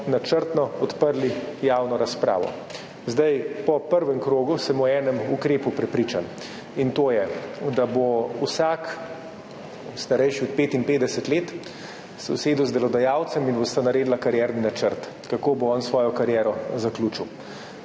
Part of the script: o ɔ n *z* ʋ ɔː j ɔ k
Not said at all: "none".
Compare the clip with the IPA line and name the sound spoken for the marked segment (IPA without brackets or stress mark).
s